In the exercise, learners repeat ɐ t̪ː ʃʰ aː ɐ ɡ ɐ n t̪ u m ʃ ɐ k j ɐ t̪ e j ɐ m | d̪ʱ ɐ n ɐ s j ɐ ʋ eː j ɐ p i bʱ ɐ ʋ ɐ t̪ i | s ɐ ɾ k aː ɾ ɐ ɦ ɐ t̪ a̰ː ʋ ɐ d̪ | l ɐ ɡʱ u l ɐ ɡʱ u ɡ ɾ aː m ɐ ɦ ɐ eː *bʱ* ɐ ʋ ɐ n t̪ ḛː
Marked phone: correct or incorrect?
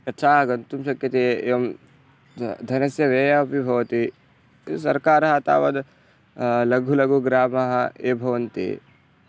correct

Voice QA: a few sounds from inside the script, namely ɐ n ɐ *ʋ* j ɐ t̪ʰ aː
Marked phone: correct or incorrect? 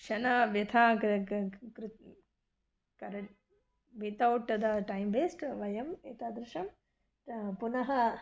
correct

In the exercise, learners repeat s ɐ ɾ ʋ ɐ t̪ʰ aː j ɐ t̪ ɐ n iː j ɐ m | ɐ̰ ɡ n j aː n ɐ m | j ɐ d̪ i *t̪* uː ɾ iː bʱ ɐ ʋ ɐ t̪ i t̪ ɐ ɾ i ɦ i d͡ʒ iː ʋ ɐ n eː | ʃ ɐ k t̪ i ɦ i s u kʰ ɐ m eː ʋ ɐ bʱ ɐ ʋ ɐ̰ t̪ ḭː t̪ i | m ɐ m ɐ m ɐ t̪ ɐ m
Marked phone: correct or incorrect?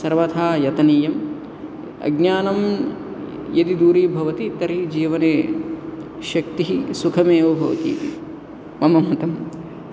incorrect: d̪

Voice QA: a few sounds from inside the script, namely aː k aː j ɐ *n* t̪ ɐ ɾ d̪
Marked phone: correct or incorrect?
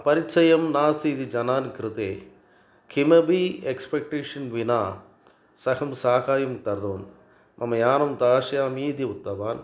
incorrect: m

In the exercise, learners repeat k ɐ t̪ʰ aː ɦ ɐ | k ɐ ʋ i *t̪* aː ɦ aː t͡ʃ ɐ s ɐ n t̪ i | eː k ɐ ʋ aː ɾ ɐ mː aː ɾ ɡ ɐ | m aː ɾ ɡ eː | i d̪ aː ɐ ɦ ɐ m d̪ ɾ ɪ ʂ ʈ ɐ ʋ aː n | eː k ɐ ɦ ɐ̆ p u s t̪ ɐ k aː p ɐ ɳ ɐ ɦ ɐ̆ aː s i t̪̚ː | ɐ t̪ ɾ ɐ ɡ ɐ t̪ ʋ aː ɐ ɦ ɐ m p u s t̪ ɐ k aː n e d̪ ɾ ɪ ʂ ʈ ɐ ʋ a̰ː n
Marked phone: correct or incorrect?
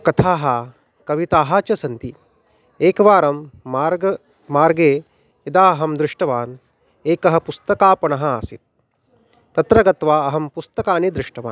correct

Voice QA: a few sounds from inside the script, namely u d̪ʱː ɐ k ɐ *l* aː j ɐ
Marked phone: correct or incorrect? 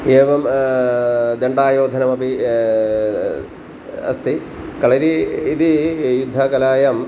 correct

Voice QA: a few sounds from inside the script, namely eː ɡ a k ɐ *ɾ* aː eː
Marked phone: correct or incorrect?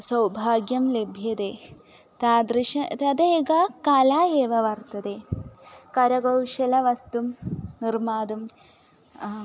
incorrect: l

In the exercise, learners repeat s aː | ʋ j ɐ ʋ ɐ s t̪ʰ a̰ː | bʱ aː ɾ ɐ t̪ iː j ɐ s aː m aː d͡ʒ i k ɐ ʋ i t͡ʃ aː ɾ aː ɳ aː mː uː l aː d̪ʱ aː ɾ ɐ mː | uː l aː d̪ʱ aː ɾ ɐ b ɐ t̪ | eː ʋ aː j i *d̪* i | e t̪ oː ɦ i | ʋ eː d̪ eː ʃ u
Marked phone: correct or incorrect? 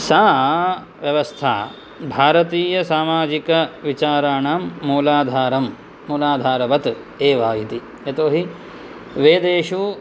incorrect: t̪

